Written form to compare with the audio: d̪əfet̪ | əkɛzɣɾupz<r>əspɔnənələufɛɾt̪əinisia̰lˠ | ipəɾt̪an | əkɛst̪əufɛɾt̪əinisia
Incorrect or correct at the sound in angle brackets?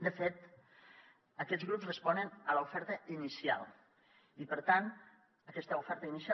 correct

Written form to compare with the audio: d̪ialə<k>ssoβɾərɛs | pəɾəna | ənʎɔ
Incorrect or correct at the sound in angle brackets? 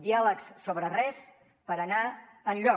correct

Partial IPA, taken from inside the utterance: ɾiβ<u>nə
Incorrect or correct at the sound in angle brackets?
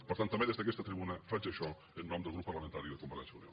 correct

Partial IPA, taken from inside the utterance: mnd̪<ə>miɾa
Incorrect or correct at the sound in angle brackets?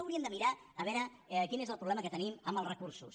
correct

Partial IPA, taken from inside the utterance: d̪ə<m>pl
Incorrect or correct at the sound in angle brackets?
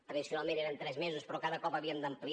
correct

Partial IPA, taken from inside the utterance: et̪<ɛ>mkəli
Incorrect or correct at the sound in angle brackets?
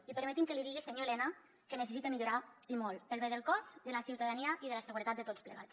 incorrect: i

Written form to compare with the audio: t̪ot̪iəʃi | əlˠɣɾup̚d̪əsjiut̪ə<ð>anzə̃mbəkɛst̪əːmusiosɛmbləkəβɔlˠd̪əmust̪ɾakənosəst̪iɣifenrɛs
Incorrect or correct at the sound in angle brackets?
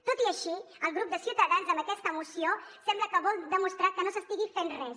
correct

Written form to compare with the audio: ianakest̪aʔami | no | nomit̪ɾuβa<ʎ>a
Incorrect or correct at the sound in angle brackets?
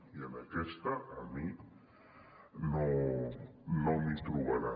incorrect: ɾ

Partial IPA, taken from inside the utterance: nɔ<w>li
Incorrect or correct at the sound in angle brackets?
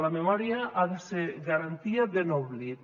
incorrect: β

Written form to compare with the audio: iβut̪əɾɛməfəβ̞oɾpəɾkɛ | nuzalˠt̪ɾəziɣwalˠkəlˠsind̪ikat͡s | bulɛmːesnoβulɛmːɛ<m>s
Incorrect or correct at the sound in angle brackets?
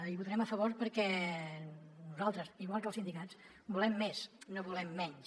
incorrect: ɲ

